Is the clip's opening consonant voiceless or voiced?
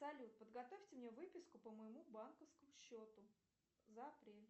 voiceless